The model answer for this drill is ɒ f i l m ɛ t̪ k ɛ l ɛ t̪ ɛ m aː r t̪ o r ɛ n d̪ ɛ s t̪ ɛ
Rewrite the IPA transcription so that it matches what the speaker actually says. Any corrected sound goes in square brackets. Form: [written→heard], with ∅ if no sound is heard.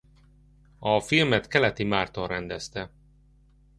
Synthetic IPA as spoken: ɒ f i l m ɛ t̪ k ɛ l ɛ t̪ [ɛ→i] m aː r t̪ o r ɛ n d̪ ɛ s t̪ ɛ